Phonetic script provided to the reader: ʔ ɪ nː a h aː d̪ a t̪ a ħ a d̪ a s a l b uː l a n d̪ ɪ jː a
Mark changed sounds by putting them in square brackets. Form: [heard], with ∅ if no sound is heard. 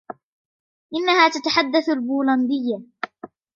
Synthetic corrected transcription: ʔ ɪ nː a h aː [t̪] a t̪ a ħ a [d̪ː] a [θ] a l b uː l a n d̪ ɪ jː a

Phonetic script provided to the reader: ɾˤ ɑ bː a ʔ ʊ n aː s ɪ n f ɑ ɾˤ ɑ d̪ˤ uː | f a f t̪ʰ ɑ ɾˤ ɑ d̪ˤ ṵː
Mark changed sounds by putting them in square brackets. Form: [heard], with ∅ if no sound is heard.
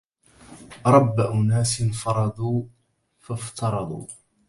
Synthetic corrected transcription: ɾˤ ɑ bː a ʔ ʊ n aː s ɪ n f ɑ ɾˤ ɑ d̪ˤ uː | f a f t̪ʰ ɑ ɾˤ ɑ d̪ˤ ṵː

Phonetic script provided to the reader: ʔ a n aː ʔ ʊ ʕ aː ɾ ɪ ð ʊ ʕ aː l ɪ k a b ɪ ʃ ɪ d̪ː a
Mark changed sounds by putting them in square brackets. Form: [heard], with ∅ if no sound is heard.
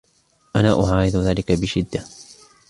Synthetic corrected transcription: ʔ a n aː ʔ ʊ ʕ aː ɾ ɪ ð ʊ [ð] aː l ɪ k a b ɪ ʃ ɪ d̪ː a

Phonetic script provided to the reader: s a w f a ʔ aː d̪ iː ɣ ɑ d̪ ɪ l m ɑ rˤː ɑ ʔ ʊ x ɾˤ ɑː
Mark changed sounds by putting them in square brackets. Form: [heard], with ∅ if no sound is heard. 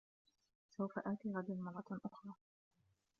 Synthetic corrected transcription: s a w f a ʔ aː [t̪] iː ɣ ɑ d̪ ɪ l m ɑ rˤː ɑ ʔ ʊ x ɾˤ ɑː

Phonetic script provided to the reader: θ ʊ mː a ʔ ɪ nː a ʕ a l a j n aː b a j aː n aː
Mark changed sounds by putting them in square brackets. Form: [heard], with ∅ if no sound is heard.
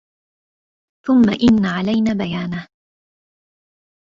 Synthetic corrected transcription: θ ʊ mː a ʔ ɪ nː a ʕ a l a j n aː b a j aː n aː

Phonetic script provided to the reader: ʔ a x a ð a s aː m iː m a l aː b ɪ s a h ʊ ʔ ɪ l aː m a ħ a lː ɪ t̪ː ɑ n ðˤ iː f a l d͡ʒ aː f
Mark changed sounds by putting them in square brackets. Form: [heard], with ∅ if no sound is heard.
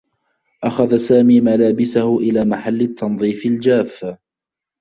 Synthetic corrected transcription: ʔ a x a ð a s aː m iː m a l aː b ɪ s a h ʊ ʔ ɪ l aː m a ħ a lː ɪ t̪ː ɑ n ðˤ iː f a l d͡ʒ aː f

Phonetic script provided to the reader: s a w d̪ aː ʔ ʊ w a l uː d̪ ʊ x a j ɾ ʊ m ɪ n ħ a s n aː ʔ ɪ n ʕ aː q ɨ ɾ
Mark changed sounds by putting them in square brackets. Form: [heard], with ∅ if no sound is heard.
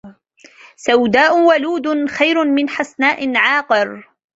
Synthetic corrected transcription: s a w d̪ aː ʔ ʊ w a l uː d̪ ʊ x a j ɾ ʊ m ɪ n ħ a s n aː ʔ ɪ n ʕ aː q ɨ ɾ

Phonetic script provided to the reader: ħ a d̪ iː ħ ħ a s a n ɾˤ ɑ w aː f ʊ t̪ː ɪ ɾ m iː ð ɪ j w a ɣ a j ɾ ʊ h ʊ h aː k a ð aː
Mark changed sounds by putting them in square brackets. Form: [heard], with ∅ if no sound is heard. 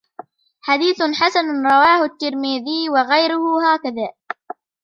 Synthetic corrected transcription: ħ a d̪ iː [θ] ħ a s a n ɾˤ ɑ w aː [h] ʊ t̪ː ɪ ɾ m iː ð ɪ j w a ɣ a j ɾ ʊ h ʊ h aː k a ð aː

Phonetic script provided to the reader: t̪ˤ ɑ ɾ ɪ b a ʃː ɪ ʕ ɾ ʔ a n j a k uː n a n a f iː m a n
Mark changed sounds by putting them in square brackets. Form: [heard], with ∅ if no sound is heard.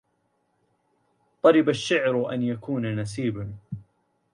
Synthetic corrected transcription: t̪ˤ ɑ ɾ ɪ b a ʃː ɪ ʕ ɾ ʔ a n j a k uː n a n a [s] iː [b] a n

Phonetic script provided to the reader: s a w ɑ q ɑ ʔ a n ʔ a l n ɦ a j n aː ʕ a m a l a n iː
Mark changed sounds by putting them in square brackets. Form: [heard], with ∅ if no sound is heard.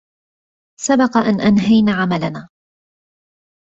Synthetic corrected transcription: s a [b] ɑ q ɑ ʔ a n ʔ a [∅] n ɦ a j n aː ʕ a m a l a n [aː]

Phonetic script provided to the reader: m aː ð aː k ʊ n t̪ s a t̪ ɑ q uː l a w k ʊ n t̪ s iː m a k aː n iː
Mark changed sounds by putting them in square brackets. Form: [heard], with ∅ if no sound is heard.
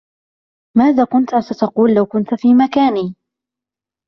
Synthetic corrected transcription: m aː ð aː k ʊ n t̪ s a t̪ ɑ q uː [lː] a w k ʊ n t̪ [f] iː m a k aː n iː

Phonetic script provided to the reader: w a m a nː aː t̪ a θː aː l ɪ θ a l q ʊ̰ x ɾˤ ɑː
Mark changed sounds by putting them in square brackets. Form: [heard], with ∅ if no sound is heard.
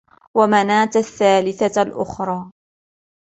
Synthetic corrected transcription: w a m a [n] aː t̪ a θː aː l ɪ θ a l [ʔ] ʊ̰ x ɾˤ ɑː

